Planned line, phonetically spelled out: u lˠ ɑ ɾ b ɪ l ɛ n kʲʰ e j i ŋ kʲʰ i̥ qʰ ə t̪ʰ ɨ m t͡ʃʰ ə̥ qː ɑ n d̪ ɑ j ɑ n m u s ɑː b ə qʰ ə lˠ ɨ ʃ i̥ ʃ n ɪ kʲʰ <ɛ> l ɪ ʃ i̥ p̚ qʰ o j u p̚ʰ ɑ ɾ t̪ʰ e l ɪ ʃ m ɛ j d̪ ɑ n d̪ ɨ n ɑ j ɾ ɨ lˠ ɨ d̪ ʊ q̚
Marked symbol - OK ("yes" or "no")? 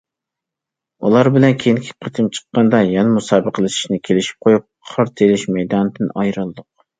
no